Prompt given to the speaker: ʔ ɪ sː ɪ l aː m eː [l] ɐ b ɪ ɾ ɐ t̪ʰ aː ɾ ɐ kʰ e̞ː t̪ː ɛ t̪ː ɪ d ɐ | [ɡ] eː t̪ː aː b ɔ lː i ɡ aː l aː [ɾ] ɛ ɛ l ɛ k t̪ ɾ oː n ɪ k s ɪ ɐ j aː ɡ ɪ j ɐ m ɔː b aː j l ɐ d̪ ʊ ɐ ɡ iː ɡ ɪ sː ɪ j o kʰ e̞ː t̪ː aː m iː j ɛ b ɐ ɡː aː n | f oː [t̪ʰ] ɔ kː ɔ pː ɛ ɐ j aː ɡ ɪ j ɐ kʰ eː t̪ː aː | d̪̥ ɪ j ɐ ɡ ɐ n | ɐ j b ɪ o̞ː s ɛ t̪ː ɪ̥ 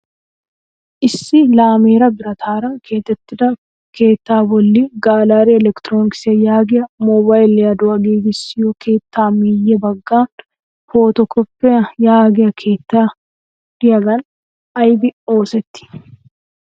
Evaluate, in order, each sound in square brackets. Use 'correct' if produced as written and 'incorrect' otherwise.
incorrect, incorrect, correct, incorrect

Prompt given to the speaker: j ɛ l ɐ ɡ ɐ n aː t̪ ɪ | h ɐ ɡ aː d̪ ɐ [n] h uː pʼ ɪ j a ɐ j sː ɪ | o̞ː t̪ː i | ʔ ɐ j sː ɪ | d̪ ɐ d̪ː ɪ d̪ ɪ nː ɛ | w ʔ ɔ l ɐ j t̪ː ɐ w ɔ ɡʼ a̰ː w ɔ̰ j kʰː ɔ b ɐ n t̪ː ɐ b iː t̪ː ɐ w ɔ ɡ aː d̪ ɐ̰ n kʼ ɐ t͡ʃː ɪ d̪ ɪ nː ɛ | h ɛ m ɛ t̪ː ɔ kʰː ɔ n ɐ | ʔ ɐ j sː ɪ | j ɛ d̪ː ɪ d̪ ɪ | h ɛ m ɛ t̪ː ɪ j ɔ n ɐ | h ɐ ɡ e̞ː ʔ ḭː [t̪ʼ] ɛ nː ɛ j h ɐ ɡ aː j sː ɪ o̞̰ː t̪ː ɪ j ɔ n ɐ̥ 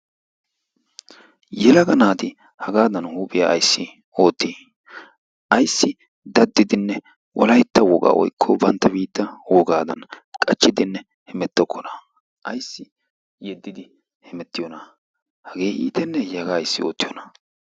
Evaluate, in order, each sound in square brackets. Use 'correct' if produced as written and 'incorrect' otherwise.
correct, incorrect

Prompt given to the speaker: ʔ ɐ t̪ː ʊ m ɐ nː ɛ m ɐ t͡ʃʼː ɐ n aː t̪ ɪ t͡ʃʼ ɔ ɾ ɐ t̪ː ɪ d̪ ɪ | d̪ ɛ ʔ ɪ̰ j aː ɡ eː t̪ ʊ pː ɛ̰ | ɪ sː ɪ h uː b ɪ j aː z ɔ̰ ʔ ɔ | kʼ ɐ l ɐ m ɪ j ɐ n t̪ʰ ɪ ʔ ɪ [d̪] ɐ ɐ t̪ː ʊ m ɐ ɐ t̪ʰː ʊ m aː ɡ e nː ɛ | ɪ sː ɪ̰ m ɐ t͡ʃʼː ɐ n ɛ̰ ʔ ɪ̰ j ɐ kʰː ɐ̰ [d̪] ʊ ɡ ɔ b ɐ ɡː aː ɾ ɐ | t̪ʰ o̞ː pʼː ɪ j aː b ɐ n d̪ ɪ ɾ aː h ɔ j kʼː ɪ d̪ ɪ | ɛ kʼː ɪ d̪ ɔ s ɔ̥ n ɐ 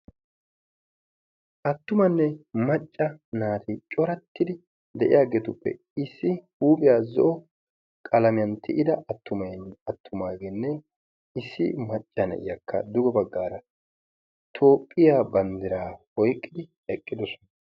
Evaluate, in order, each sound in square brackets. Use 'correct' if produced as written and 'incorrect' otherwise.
correct, correct

